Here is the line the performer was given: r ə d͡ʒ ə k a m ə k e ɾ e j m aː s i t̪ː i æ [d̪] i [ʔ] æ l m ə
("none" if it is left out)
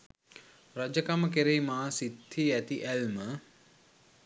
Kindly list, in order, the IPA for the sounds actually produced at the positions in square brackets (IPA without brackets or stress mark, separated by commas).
t̪, ʔ